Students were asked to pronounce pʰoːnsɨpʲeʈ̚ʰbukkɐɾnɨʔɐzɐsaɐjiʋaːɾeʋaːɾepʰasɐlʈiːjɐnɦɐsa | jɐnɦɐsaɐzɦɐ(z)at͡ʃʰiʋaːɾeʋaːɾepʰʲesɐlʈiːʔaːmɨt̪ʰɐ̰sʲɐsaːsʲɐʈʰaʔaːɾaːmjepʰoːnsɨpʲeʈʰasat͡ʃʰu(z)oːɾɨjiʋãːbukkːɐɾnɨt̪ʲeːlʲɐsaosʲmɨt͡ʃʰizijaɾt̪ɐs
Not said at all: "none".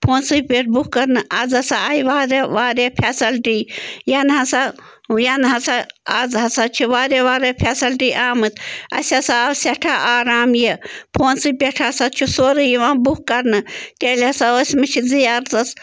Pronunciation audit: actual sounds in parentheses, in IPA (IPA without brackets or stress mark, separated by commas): s, s